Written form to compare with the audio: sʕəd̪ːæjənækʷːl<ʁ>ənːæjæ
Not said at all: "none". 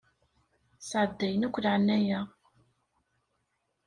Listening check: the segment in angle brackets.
ʕ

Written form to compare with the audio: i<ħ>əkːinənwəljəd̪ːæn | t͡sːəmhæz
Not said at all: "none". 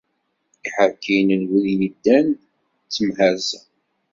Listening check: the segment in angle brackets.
ħ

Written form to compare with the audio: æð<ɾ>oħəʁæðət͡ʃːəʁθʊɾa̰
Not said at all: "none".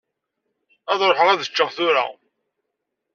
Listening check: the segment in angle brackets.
ɾ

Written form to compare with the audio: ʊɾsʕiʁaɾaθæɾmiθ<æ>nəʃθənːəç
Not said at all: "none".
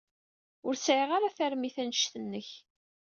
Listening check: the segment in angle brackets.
æ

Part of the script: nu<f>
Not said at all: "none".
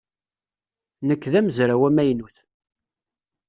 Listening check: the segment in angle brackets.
θ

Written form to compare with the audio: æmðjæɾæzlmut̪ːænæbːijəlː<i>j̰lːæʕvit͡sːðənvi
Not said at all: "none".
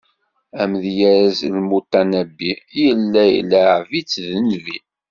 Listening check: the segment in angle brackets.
æ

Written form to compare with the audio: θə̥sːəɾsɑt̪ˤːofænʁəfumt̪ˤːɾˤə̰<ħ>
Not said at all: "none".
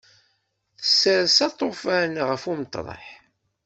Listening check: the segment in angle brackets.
ħ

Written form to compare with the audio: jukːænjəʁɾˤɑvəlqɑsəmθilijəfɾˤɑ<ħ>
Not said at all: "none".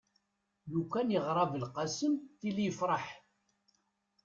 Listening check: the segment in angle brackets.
ħ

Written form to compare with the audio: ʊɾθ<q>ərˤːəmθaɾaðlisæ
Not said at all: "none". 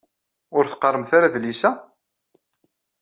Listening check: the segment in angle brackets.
q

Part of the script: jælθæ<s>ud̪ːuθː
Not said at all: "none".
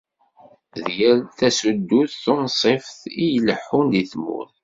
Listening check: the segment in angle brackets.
s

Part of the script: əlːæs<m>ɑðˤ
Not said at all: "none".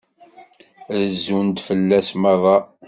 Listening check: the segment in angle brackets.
m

